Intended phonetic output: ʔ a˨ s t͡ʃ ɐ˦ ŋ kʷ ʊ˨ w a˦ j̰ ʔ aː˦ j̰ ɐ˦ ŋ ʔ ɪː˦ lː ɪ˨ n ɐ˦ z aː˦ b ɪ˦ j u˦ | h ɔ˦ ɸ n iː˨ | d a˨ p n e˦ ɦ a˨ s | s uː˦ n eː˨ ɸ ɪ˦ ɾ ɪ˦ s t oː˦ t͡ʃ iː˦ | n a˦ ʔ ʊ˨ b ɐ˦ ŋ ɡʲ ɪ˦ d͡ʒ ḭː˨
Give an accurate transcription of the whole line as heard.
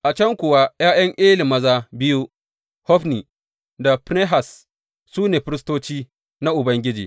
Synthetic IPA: ʔ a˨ t͡ʃ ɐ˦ ŋ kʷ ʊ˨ w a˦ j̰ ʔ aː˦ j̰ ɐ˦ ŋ ʔ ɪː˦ l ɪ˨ m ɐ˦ z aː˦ b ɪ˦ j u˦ | h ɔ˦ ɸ n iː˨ | d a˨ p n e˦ ɦ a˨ s | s uː˦ n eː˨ ɸ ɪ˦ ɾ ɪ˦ s t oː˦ t͡ʃ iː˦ | n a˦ ʔ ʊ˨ b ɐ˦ ŋ ɡʲ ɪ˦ d͡ʒ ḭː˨